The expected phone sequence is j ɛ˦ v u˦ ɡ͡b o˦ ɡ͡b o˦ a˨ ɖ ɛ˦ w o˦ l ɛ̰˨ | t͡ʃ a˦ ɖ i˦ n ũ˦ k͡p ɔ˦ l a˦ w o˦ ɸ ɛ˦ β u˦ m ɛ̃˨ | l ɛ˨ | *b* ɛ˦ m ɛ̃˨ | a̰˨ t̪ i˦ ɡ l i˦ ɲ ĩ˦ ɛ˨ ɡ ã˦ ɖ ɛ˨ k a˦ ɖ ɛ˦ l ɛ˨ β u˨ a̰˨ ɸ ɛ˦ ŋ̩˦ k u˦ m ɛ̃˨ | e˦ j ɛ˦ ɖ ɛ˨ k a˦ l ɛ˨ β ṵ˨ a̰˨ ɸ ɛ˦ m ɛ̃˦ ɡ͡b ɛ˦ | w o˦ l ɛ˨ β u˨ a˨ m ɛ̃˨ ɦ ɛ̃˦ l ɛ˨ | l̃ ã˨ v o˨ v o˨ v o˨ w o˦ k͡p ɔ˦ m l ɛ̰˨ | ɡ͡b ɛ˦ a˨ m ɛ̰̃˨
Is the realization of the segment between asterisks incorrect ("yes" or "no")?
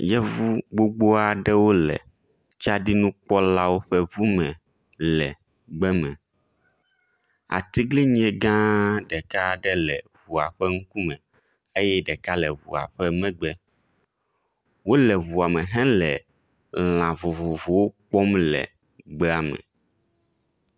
yes